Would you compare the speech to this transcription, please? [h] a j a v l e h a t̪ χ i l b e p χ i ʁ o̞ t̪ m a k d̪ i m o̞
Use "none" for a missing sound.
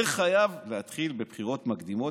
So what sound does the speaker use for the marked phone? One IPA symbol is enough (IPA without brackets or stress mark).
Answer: χ